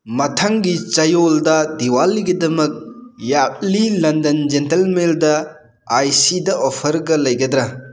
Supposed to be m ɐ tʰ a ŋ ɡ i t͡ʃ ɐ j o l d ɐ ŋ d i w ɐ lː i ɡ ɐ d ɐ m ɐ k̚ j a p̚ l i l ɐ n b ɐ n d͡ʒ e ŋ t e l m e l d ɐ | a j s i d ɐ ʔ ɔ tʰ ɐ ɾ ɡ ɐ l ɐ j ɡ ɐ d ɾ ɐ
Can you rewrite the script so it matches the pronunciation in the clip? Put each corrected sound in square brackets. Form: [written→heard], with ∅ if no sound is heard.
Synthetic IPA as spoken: m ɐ tʰ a ŋ ɡ i t͡ʃ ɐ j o l d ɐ [ŋ→∅] d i w [ɐ→a] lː i ɡ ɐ d ɐ m ɐ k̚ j a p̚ l i l ɐ n [b→d] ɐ n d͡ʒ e [ŋ→n] t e l m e l d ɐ | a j s i d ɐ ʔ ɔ [tʰ→pʰ] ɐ ɾ ɡ ɐ l ɐ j ɡ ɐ d ɾ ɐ

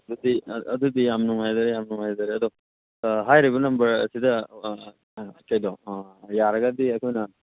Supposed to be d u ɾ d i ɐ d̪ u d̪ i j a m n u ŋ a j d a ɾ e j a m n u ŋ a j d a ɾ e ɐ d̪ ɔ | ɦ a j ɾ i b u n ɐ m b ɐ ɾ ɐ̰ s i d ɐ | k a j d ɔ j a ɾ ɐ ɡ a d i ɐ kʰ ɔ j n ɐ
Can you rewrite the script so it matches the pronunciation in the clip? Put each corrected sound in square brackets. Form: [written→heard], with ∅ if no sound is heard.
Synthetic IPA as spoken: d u [ɾ→∅] d i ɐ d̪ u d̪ i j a m n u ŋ a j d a ɾ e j a m n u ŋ a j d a ɾ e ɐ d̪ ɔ | ɦ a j ɾ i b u n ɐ m b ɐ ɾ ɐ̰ s i d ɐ | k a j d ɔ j a ɾ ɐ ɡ a d i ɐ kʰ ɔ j n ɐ

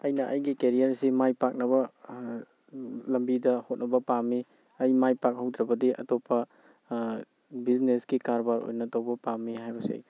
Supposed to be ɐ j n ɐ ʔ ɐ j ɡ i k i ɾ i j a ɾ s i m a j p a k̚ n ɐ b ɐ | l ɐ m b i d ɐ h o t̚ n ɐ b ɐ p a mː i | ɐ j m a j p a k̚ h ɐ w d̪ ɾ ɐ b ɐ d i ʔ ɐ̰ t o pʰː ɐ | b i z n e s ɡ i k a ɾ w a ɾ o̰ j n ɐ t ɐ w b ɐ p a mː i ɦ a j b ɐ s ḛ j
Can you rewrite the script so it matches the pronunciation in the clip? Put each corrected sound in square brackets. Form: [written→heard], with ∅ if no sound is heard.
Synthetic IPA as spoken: ɐ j n ɐ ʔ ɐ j ɡ i k [i→e] ɾ i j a ɾ s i m a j p a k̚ n ɐ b ɐ | l ɐ m b i d ɐ h o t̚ n ɐ b ɐ p a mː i | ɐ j m a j p a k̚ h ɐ w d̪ ɾ ɐ b ɐ d i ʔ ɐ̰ t o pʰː ɐ | b i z n e s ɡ i k a ɾ [w→b] a ɾ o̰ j n ɐ t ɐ w b ɐ p a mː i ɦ a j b ɐ s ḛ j

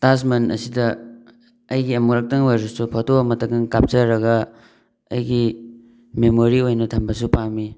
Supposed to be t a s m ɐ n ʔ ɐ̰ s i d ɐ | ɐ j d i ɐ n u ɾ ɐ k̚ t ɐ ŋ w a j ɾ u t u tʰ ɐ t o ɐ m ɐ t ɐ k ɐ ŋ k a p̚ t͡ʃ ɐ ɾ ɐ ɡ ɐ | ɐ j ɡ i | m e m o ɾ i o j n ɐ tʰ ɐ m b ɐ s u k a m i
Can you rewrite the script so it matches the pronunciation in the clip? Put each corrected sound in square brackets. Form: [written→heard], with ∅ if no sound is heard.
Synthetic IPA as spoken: t a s m ɐ n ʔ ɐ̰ s i d ɐ | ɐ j [d→ɡ] i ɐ [n→m] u ɾ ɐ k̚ t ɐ ŋ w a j ɾ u [t→s] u [tʰ→pʰ] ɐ t o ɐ m ɐ t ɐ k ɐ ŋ k a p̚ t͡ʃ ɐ ɾ ɐ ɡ ɐ | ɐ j ɡ i | m e m o ɾ i o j n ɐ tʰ ɐ m b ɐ s u [k→p] a m i

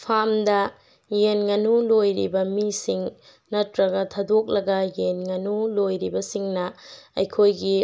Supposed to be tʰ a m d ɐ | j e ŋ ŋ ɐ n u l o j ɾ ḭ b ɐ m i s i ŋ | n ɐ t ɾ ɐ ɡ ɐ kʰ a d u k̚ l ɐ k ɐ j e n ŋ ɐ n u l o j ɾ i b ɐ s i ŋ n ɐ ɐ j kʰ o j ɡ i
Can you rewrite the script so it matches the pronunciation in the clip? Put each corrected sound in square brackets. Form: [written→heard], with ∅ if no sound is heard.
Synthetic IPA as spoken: [tʰ→pʰ] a m d ɐ | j e [ŋ→n] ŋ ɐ n u l o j ɾ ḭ b ɐ m i s i ŋ | n ɐ t ɾ ɐ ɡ ɐ [kʰ→tʰ] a d [u→o] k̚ l ɐ [k→ɡ] ɐ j e n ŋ ɐ n u l o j ɾ i b ɐ s i ŋ n ɐ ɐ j kʰ o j ɡ i

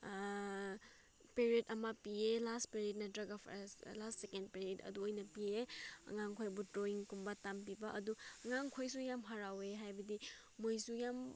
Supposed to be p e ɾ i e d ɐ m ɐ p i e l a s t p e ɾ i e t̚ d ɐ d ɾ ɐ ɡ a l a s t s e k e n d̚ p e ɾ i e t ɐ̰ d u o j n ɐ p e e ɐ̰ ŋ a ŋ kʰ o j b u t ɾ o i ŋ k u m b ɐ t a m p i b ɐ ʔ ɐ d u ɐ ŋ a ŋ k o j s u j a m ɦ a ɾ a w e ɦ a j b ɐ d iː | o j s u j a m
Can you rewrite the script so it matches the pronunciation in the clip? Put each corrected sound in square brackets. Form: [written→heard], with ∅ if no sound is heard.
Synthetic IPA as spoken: p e ɾ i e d ɐ m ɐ p i e l a s t p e ɾ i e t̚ [d→n] ɐ d ɾ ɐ ɡ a l a s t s e k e n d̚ p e ɾ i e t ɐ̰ d u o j n ɐ p [e→i] e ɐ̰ ŋ a ŋ kʰ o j b u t ɾ o i ŋ k u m b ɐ t a m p i b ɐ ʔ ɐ d u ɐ ŋ a ŋ [k→kʰ] o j s u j a m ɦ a ɾ a w e ɦ a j b ɐ d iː | o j s u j a m

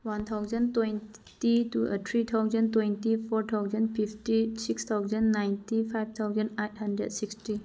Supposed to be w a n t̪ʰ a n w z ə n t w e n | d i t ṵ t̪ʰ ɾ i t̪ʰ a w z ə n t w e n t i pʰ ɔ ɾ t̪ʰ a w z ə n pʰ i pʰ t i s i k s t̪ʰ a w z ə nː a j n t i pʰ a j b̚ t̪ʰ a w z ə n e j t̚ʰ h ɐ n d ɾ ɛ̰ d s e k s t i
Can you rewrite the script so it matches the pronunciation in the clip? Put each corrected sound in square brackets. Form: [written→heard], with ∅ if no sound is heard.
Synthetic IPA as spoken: w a n t̪ʰ a [n→∅] w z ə n t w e n | [d→t] i t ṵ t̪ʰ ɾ i t̪ʰ a w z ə n t w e n t i pʰ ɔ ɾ t̪ʰ a w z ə n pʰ i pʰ t i s i k s t̪ʰ a w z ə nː a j n t i pʰ a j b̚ t̪ʰ a w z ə n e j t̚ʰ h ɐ n d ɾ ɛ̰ d s [e→i] k s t i

